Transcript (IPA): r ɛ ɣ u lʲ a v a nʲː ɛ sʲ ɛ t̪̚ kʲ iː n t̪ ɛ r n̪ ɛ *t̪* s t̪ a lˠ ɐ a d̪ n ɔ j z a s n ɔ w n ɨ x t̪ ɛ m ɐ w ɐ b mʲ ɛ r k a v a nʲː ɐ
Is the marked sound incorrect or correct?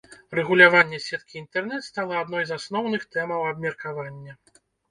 correct